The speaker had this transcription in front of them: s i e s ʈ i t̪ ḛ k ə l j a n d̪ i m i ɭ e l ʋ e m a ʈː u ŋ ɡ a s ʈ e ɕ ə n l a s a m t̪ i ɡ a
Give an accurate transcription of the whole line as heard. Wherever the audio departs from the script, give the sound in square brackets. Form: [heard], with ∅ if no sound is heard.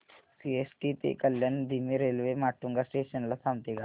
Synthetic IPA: s i e s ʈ i t̪ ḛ k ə l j a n d̪ i m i [ɾ] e l ʋ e m a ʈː u ŋ ɡ a s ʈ e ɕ ə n l a s a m t̪ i ɡ a